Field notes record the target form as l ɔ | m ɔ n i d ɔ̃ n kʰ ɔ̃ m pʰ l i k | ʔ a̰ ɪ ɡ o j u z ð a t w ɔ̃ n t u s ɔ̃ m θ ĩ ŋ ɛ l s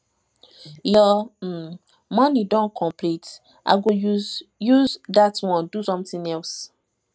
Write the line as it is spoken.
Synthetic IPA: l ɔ | m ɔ n i d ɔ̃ n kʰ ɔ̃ m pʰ l i t | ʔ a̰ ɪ ɡ o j u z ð a t w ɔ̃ n d u s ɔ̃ m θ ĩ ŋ ɛ l s